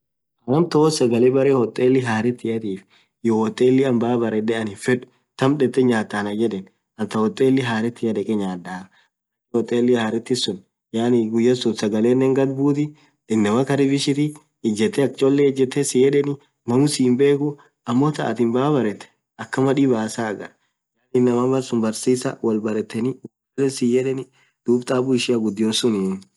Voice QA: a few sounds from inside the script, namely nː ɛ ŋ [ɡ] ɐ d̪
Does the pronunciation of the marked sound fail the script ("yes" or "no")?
no